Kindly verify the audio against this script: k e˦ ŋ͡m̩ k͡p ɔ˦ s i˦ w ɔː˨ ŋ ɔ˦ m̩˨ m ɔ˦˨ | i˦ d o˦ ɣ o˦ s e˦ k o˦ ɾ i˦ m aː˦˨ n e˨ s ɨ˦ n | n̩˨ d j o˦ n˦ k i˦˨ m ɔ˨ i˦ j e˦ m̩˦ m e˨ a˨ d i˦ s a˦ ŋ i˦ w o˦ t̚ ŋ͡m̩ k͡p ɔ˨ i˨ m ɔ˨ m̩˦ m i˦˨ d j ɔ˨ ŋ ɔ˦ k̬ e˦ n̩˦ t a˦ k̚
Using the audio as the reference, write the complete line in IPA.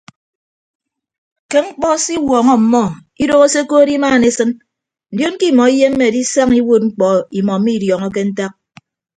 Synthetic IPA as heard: k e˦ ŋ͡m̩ k͡p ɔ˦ s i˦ w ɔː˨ ŋ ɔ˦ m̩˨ m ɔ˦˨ | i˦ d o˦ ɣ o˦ s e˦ k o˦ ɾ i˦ m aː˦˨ n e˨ s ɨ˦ n | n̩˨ d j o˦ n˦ k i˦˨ m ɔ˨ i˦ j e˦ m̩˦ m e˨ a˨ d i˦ s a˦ ŋ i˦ w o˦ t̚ ŋ͡m̩ k͡p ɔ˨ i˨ m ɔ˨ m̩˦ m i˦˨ d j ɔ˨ ŋ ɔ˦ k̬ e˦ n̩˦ t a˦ k̚